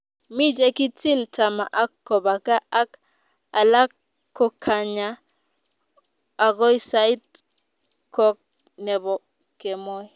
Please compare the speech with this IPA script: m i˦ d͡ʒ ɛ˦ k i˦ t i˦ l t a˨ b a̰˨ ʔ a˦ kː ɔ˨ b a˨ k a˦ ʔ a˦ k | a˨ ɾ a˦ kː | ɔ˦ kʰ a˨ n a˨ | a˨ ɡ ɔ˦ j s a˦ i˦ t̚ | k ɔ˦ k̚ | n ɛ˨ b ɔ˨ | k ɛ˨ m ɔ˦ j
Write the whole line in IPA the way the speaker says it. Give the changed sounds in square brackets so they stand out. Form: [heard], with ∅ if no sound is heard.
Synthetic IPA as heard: m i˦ d͡ʒ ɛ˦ k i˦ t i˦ l t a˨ [m] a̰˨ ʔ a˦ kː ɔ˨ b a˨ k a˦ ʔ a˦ k | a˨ [l] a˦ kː | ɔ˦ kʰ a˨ [ɲ] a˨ | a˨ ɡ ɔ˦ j s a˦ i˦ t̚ | k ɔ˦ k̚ | n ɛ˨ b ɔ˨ | k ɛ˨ m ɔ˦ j

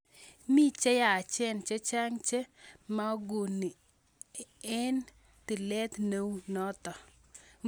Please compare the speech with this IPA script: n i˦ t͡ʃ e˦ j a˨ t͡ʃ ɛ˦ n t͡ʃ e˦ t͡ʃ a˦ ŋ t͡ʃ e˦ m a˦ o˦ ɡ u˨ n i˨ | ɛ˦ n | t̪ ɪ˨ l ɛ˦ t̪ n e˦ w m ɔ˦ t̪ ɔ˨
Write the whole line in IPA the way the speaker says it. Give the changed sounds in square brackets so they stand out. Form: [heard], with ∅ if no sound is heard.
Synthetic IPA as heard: [m] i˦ t͡ʃ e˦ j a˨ t͡ʃ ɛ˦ n t͡ʃ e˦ t͡ʃ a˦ ŋ t͡ʃ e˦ m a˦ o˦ ɡ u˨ n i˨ | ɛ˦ n | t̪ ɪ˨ l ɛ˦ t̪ n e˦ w [n] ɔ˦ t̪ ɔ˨

